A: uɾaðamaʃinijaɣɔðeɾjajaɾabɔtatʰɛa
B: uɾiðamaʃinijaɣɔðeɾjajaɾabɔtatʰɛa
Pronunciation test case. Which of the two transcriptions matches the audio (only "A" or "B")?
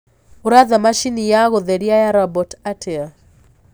A